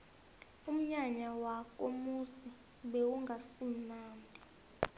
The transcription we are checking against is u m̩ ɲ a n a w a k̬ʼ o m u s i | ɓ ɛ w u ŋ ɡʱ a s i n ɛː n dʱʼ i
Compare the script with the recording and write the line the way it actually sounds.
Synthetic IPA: u m̩ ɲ a ɲ a w a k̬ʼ o m u s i | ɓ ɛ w u ŋ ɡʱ a s i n aː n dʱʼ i